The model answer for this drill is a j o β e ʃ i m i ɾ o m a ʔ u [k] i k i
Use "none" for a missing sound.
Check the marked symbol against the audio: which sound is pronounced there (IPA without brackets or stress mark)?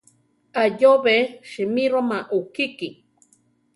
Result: k